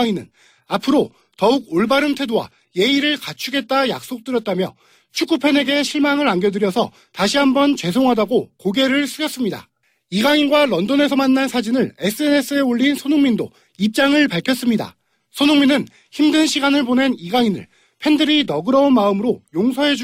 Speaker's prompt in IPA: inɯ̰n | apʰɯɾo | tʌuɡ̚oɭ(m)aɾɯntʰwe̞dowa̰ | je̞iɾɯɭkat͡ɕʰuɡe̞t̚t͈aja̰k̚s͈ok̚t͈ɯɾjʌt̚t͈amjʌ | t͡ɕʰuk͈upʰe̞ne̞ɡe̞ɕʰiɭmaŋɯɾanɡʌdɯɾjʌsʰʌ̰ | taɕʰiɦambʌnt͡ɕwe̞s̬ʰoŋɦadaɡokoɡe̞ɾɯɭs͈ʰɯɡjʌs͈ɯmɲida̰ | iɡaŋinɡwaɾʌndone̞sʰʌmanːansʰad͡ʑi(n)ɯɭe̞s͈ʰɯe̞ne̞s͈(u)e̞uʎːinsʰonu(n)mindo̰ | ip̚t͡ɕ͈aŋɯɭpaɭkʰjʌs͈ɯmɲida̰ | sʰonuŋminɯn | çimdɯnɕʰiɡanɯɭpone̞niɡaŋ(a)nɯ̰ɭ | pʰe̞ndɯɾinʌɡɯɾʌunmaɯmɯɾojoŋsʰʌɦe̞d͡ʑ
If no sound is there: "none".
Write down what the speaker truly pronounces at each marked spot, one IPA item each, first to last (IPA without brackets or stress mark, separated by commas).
b, n, ɯ, ŋ, i